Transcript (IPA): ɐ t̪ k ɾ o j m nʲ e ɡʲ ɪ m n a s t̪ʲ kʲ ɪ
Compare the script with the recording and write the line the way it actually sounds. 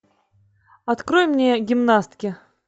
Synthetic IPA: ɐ t̪ k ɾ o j m nʲ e ɡʲ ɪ m n a s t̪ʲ kʲ ɪ